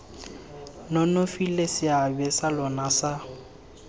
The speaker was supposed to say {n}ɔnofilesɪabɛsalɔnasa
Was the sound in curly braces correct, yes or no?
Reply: yes